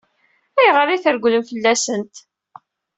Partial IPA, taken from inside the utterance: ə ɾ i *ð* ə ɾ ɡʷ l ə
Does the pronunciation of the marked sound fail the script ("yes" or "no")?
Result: yes